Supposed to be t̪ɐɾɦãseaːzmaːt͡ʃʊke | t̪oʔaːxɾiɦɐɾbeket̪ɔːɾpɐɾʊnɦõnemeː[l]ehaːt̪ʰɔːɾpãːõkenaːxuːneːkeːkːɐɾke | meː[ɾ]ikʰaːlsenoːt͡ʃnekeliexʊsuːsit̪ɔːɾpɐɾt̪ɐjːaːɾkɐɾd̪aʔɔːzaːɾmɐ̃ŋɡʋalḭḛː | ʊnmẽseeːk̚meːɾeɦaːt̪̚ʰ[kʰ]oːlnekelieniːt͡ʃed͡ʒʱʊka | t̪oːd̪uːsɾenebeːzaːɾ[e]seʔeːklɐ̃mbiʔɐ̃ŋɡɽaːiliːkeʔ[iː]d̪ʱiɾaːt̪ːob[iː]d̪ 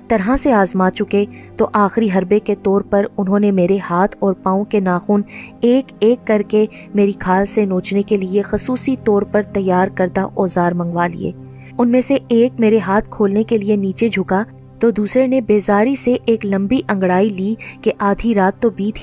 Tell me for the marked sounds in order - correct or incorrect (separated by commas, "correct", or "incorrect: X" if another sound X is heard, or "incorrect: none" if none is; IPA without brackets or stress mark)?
incorrect: ɾ, correct, correct, incorrect: i, incorrect: aː, correct